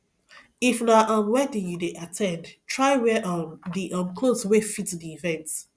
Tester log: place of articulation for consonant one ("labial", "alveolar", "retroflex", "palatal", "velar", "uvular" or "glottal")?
labial